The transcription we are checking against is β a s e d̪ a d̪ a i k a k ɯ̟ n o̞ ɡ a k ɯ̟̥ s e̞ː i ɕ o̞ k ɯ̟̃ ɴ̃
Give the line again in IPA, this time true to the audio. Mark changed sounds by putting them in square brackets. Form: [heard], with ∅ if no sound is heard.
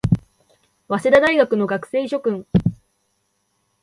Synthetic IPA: β a s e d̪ a d̪ a i [ɡ] a k ɯ̟ n o̞ ɡ a k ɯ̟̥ s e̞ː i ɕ o̞ k ɯ̟̃ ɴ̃